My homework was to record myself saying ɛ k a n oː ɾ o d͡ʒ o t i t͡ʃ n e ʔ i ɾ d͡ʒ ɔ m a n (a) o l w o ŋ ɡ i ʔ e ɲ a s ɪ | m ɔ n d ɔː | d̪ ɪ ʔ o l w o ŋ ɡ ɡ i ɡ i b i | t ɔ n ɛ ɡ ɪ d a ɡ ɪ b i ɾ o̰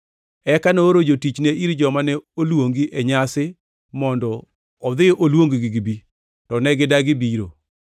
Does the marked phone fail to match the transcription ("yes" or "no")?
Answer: yes